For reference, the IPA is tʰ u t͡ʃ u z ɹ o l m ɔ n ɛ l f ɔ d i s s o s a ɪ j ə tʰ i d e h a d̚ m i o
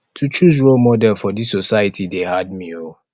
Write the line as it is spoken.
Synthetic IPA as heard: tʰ u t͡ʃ u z ɹ o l m ɔ d ɛ l f ɔ d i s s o s a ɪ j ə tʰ i d e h a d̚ m i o